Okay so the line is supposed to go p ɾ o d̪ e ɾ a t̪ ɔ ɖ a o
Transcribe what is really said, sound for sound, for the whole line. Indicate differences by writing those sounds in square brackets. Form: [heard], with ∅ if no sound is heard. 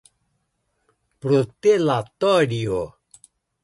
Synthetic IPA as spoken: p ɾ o [t̪] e [l] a t̪ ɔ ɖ [i] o

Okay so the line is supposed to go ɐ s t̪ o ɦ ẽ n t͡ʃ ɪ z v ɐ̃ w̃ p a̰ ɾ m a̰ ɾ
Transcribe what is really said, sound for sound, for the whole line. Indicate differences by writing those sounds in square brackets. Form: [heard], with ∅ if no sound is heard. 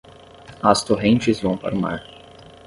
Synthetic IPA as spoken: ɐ s t̪ o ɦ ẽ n t͡ʃ ɪ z v ɐ̃ w̃ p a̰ ɾ m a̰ ɾ

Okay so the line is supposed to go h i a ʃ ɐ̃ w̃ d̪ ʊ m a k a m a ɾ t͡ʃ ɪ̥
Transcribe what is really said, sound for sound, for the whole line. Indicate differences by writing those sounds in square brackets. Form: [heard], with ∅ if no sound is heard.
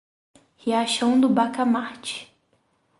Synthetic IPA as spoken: h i a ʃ ɐ̃ w̃ d̪ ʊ [b] a k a m a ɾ t͡ʃ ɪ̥

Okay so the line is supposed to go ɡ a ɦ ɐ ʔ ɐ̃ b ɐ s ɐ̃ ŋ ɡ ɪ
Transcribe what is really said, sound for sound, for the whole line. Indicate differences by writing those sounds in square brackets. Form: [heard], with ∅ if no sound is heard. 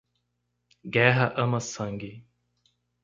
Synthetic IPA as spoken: ɡ [ɛ] ɦ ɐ ʔ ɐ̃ [m] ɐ s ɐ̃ ŋ ɡ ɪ

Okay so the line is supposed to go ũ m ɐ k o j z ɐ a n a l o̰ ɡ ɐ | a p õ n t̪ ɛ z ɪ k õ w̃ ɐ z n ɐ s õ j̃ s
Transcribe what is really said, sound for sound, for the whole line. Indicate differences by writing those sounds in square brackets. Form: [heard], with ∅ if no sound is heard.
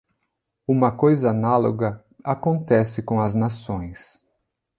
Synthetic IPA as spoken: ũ m ɐ k o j z ɐ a n a l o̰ ɡ ɐ | a [k] õ n t̪ ɛ [s] ɪ k õ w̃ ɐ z n [a] s õ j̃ s

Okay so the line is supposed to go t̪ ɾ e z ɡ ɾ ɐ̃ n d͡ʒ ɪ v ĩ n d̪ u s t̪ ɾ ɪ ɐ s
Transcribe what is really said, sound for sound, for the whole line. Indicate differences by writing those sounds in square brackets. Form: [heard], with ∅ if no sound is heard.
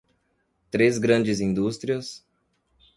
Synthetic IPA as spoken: t̪ ɾ e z ɡ ɾ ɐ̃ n d͡ʒ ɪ [z] ĩ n d̪ u s t̪ ɾ [i] ɐ s

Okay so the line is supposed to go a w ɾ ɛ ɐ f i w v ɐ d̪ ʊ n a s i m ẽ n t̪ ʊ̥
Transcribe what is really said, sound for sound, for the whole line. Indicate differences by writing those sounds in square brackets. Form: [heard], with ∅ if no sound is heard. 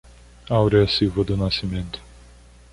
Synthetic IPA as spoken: a w ɾ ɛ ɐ [s] i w v ɐ d̪ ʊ n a s i m ẽ n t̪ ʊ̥

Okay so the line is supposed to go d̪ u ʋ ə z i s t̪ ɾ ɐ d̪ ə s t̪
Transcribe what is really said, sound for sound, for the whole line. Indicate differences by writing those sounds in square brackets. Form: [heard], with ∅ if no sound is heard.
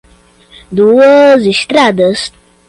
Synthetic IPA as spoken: d̪ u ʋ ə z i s t̪ ɾ [a] d̪ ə s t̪

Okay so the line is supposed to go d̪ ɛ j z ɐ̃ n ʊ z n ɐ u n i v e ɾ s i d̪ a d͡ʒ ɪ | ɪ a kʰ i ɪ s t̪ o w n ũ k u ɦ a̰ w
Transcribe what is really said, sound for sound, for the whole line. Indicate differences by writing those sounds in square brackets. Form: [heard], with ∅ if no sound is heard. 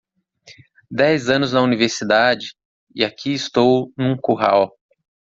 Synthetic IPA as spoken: d̪ ɛ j z ɐ̃ n ʊ z n ɐ u n i v e ɾ s i d̪ a d͡ʒ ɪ | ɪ a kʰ i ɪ s t̪ o w n ũ k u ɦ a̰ w

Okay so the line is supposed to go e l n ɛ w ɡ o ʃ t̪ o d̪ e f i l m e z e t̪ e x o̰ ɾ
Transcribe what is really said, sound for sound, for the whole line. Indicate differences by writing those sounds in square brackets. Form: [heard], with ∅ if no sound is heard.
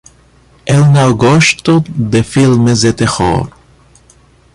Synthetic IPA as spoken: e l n [a] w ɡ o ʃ t̪ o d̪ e f i l m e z e t̪ e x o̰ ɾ

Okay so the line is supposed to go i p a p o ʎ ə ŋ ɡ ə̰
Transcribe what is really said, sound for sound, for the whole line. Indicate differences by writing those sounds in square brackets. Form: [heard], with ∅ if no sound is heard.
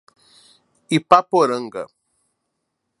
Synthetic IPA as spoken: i p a p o [ɾ] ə ŋ ɡ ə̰

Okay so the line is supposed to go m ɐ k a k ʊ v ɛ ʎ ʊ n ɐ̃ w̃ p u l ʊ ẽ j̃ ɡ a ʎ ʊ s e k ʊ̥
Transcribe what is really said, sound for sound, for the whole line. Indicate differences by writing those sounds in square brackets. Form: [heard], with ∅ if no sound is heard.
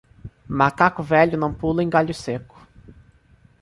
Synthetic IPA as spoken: m [a] k a k ʊ v ɛ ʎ ʊ n ɐ̃ w̃ p u l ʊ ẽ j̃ ɡ a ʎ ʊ s e k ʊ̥

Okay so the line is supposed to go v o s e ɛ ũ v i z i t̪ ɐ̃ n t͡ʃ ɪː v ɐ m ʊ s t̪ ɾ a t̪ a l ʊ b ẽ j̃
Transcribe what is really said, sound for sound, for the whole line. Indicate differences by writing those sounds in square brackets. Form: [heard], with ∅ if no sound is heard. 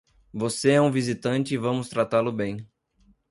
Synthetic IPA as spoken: v o s e ɛ ũ v i z i t̪ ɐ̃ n t͡ʃ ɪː v [ɐ̃] m ʊ s t̪ ɾ a t̪ a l ʊ b ẽ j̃

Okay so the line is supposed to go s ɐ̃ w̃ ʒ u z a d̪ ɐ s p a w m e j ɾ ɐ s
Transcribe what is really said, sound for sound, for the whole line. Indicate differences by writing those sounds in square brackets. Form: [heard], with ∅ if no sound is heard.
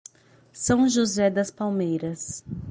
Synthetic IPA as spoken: s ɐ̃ w̃ ʒ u z [ɛ] d̪ ɐ s p a w m e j ɾ ɐ s

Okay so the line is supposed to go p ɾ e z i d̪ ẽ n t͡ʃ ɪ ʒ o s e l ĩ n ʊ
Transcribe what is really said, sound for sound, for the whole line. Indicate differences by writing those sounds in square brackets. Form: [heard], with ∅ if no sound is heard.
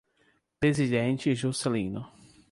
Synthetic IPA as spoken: p ɾ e z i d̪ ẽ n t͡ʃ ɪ ʒ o s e l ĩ n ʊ

